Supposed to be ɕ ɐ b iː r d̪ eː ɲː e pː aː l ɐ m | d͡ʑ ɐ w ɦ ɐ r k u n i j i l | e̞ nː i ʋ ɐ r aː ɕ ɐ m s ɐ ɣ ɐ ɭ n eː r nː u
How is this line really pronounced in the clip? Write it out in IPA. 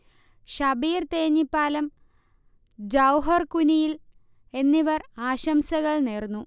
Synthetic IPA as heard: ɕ ɐ b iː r t̪ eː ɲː i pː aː l ɐ m | d͡ʑ ɐ w ɦ ɐ r k u n i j i l | e̞ nː i ʋ ɐ r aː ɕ ɐ m s ɐ ɣ ɐ ɭ n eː r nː u

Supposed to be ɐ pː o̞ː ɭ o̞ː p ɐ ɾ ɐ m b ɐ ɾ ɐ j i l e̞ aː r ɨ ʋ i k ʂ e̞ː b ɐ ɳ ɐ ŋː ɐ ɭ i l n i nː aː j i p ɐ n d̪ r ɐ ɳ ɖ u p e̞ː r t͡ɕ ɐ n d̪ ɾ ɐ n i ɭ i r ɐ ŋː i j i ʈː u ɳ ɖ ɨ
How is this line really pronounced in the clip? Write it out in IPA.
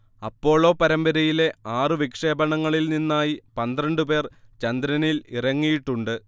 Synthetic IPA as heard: ɐ pː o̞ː ɭ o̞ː p ɐ ɾ ɐ m b ɐ ɾ ɐ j i l e̞ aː r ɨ ʋ i k ʂ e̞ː b ɐ ɳ ɐ ŋː ɐ ɭ i l n i nː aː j i p ɐ n d̪ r ɐ ɳ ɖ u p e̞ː r t͡ɕ ɐ n d̪ ɾ ɐ n i l i r ɐ ŋː i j i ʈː u ɳ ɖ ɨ

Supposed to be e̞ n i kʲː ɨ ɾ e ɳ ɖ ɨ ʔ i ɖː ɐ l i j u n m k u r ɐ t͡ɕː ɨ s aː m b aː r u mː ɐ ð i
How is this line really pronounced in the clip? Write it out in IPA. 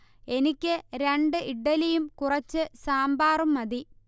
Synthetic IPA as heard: e̞ n i kʲː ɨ ɾ e ɳ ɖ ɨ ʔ i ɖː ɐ l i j u m k u r ɐ t͡ɕː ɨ s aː m b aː r u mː ɐ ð i

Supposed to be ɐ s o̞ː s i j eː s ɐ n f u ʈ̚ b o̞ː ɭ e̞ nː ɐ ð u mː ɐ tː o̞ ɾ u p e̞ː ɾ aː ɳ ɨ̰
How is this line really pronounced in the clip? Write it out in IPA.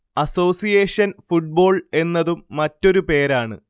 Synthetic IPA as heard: ɐ s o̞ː s i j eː ʂ ɐ n f u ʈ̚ b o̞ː ɭ e̞ nː ɐ ð u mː ɐ tː o̞ ɾ u p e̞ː ɾ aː ɳ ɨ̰

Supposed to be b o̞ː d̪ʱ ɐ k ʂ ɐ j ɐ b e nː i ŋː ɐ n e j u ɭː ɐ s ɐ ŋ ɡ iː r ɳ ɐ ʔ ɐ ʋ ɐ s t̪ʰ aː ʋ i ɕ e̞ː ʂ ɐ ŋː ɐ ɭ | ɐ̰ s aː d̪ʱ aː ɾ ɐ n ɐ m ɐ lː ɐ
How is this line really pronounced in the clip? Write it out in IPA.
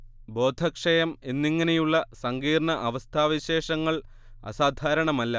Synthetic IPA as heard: b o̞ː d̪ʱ ɐ k ʂ ɐ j ɐ m e nː i ŋː ɐ n e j u ɭː ɐ s ɐ ŋ ɡ iː r ɳ ɐ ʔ ɐ ʋ ɐ s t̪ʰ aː ʋ i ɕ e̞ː ʂ ɐ ŋː ɐ ɭ | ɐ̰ s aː d̪ʱ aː ɾ ɐ ɳ ɐ m ɐ lː ɐ

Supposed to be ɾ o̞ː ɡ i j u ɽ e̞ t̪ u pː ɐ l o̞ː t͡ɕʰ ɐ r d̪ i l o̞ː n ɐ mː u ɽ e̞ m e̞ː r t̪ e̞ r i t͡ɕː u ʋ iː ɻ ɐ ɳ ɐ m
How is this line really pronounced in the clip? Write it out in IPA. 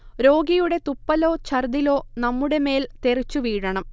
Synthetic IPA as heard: ɾ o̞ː ɡ i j u ɽ e̞ t̪ u pː ɐ l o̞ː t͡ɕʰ ɐ r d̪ i l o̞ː n ɐ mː u ɽ e̞ m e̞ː l t̪ e̞ r i t͡ɕː u ʋ iː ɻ ɐ ɳ ɐ m

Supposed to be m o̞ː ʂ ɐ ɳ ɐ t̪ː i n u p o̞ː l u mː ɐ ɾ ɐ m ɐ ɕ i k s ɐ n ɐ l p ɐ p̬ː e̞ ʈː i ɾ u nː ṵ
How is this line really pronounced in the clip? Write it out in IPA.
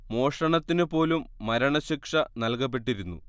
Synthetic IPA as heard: m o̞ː ʂ ɐ ɳ ɐ t̪ː i n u p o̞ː l u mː ɐ ɾ ɐ ɳ ɐ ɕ i k ʂ ɐ n ɐ l k ɐ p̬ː e̞ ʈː i ɾ u nː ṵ

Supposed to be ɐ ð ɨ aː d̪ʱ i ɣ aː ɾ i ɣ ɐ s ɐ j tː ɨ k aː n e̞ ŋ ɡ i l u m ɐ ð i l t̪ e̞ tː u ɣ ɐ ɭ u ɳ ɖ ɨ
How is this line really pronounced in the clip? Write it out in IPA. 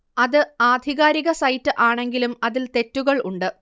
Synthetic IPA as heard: ɐ ð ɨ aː d̪ʱ i ɣ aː ɾ i ɣ ɐ s ɐ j tː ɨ ʔ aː ɳ e̞ ŋ ɡ i l u m ɐ ð i l t̪ e̞ tː u ɣ ɐ ɭ u ɳ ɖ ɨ

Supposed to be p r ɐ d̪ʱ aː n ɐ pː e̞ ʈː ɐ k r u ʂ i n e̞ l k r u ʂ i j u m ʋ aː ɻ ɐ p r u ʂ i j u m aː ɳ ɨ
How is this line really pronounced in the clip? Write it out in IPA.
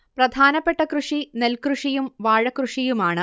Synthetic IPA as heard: p r ɐ d̪ʱ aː n ɐ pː e̞ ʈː ɐ k r u ʂ i n e̞ l k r u ʂ i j u m ʋ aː ɻ ɐ k r u ʂ i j u m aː ɳ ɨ

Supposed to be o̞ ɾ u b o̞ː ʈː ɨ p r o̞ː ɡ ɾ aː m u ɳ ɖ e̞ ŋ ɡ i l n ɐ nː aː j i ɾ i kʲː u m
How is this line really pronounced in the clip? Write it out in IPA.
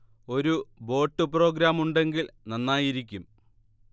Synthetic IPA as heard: o̞ ɾ u b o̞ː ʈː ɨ p r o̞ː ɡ ɾ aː m u ɳ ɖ e̞ ŋ ɡ i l n ɐ nː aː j i ɾ i kʲː u m

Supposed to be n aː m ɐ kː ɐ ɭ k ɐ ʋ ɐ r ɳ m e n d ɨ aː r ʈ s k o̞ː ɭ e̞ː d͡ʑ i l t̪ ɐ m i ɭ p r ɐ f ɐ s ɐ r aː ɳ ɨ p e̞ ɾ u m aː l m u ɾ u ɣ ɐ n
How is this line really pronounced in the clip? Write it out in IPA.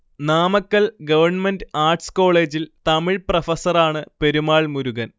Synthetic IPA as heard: n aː m ɐ kː ɐ ɭ ɡ ɐ ʋ ɐ r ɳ m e n d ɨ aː r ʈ s k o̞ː ɭ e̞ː d͡ʑ i l t̪ ɐ m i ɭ p r ɐ f ɐ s ɐ r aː ɳ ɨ p e̞ ɾ u m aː ɭ m u ɾ u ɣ ɐ n

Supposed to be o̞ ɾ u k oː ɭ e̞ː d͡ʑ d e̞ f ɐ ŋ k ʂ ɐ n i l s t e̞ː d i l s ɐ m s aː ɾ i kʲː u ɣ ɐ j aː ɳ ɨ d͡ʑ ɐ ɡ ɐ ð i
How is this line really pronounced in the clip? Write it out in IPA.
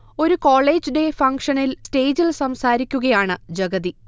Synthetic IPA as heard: o̞ ɾ u k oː ɭ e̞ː d͡ʑ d e̞ f ɐ ŋ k ʂ ɐ n i l s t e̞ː d͡ʑ i l s ɐ m s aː ɾ i kʲː u ɣ ɐ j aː ɳ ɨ d͡ʑ ɐ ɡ ɐ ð i

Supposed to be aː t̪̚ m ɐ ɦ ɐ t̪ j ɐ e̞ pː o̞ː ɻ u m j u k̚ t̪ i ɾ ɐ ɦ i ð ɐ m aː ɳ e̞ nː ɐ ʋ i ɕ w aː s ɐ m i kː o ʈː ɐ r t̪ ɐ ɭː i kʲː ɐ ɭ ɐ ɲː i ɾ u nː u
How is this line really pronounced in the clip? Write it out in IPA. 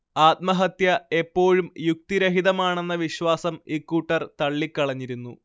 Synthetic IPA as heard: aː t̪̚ m ɐ ɦ ɐ t̪ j ɐ e̞ pː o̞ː ɻ u m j u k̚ t̪ i ɾ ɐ ɦ i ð ɐ m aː ɳ e̞ nː ɐ ʋ i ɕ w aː s ɐ m i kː u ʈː ɐ r t̪ ɐ ɭː i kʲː ɐ ɭ ɐ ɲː i ɾ u nː u

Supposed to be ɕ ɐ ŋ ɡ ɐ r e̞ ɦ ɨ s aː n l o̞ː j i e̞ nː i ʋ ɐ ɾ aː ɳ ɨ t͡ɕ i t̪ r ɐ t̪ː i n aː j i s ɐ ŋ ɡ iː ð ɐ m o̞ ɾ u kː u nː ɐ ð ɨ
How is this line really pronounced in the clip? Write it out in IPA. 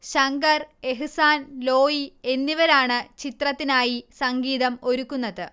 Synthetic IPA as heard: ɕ ɐ ŋ ɡ ɐ r e̞ ɦ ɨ s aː n l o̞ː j i e̞ nː i ʋ ɐ ɾ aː ɳ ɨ t͡ɕ i t̪ r ɐ t̪ː i n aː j i s ɐ ŋ ɡ iː ð ɐ m o̞ ɾ u kː u nː ɐ ð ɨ

